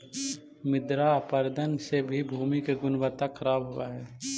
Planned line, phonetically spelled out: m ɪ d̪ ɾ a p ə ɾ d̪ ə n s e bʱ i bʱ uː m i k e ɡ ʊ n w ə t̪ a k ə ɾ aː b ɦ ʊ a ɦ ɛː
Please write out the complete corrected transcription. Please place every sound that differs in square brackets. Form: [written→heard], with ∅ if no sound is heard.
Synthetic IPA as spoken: m ɪ d̪ ɾ a p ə ɾ d̪ ə n s e bʱ i bʱ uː m i k e ɡ ʊ n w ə t̪ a [k→kʰ] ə ɾ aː b ɦ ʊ a ɦ ɛː